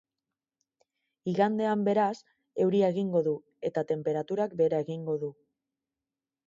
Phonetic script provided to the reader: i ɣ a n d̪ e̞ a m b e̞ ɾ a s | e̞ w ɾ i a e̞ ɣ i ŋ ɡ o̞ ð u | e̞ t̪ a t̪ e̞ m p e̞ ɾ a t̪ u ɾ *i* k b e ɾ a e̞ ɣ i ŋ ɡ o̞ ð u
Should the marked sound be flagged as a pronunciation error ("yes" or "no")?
yes